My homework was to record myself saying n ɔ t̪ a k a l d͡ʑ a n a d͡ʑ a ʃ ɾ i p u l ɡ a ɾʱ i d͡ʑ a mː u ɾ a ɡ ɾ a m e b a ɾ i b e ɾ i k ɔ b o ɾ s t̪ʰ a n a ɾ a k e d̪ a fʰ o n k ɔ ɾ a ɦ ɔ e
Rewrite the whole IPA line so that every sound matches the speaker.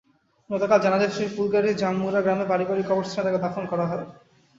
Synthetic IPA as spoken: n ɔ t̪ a k a l d͡ʑ a n a d͡ʑ a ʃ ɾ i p u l ɡ a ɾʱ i d͡ʑ a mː u ɾ a ɡ ɾ a m e b a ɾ i b a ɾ i k ɔ b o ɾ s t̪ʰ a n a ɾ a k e d̪ a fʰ o n k ɔ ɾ a ɦ ɔ e

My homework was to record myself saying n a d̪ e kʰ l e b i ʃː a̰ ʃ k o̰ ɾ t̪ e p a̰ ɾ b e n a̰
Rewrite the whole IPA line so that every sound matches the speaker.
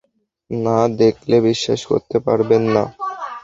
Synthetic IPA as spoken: n a d̪ e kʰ l e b i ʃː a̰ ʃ k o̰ ɾ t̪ e p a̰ ɾ b e nː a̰

